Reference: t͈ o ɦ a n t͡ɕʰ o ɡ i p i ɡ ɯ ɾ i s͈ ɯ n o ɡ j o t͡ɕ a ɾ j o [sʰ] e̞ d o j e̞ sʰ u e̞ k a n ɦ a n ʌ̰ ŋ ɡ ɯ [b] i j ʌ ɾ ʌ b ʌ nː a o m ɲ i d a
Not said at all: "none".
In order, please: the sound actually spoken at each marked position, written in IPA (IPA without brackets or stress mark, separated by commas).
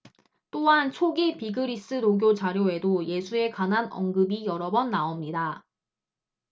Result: none, b